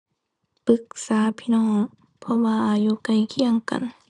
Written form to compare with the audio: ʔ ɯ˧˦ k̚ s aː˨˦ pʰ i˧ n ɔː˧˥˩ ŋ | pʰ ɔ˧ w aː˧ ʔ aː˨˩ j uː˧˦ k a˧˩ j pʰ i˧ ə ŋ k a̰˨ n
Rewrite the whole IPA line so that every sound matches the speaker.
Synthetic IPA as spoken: p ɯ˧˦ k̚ s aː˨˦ pʰ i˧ n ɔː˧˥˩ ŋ | pʰ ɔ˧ w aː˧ ʔ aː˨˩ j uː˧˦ k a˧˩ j kʰ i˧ ə ŋ k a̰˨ n

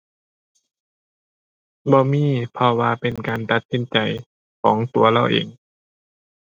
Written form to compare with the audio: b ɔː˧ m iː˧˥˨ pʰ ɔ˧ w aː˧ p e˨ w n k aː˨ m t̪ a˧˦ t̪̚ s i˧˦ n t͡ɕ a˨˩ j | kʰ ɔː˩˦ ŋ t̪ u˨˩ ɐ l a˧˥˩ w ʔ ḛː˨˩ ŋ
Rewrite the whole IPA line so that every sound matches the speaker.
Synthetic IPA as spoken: b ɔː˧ m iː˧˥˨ pʰ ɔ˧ w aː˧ p e˨ n k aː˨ n t̪ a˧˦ t̪̚ s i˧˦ n t͡ɕ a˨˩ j | kʰ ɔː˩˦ ŋ t̪ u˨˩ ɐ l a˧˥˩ w ʔ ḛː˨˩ ŋ

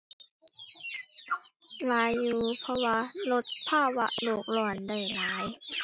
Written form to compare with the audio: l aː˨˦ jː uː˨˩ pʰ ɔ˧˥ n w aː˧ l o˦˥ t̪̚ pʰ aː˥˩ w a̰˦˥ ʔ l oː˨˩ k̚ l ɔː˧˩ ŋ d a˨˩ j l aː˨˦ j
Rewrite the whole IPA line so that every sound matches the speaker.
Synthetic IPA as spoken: l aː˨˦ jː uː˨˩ pʰ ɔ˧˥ w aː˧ l o˦˥ t̪̚ pʰ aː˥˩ w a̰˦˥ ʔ l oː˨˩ k̚ l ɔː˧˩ n d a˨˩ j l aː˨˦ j

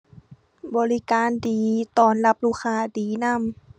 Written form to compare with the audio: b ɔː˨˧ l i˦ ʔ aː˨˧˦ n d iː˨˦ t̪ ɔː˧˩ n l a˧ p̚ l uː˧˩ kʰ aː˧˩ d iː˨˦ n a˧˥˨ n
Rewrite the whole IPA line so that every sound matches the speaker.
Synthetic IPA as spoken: b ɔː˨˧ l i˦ k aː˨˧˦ n d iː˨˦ t̪ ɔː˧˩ n l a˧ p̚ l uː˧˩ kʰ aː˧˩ d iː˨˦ n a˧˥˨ m

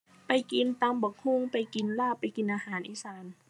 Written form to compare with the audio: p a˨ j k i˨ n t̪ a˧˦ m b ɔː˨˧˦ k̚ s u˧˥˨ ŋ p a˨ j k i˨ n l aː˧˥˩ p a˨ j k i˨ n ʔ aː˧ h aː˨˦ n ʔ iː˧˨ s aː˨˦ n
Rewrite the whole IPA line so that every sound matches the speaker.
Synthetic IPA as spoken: p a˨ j k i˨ n t̪ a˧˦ m b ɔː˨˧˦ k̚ h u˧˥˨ ŋ p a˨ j k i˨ n l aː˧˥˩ p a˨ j k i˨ n ʔ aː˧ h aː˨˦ n ʔ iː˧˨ s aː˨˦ n

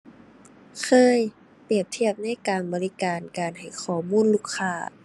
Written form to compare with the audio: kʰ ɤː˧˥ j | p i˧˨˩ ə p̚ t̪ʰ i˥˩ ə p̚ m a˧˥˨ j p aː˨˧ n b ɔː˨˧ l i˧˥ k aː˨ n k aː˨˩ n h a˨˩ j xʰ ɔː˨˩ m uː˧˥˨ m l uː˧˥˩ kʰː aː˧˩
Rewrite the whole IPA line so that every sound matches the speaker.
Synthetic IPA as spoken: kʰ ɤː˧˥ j | p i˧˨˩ ə p̚ t̪ʰ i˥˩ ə p̚ n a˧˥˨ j k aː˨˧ n b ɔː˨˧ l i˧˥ k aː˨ n k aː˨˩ n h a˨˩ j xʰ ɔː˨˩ m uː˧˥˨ n l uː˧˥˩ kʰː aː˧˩

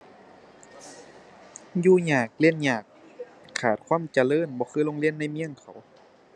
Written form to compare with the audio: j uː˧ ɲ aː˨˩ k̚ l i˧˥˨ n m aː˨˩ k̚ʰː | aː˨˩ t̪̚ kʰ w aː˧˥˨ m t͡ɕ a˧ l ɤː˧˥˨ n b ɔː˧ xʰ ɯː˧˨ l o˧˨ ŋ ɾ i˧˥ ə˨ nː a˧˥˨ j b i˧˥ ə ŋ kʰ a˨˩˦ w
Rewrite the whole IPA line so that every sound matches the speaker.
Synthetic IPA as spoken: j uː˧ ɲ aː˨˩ k̚ l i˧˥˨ n ɲ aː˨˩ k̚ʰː | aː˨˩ t̪̚ kʰ w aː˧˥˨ m t͡ɕ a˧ l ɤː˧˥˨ n b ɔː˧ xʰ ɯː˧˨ l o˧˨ ŋ l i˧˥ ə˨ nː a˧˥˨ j m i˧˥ ə ŋ kʰ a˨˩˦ w

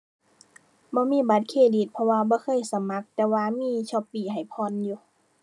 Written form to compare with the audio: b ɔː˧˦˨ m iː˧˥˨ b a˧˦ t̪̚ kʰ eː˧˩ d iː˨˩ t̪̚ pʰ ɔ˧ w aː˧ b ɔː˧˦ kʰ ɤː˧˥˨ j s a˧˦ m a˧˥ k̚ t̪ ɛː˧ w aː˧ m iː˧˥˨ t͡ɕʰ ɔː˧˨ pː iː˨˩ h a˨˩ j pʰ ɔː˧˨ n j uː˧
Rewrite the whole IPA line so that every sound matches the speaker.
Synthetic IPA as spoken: b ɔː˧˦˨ m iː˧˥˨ b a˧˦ t̪̚ kʰ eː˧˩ d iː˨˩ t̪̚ pʰ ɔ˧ w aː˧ b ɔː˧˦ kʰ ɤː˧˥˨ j s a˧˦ m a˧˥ k̚ t̪ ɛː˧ w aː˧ m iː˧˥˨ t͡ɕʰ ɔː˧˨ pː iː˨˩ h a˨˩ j pʰ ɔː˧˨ n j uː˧

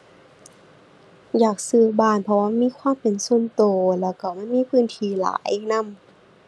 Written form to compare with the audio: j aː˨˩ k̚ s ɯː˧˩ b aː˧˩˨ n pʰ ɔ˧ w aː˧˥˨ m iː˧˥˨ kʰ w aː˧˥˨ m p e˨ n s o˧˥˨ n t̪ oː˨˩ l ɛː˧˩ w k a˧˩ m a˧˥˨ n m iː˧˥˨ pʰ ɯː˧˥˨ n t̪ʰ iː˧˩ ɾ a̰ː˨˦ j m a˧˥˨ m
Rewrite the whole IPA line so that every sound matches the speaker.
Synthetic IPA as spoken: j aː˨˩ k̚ s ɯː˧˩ b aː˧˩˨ n pʰ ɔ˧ w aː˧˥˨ m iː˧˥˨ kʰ w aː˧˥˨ m p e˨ n s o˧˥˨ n t̪ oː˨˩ l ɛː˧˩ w k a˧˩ m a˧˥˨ n m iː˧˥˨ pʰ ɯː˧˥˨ n t̪ʰ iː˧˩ l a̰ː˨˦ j n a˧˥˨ m

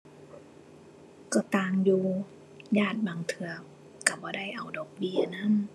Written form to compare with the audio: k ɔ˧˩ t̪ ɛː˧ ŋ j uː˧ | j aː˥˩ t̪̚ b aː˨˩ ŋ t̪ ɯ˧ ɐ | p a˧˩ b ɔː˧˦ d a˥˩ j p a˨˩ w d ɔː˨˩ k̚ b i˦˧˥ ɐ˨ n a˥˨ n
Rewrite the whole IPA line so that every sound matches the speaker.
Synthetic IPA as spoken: k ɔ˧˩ t̪ aː˧ ŋ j uː˧ | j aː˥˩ t̪̚ b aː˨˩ ŋ t̪ʰ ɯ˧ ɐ | k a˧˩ b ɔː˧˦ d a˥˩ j ʔ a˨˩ w d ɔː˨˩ k̚ b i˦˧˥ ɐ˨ n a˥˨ n

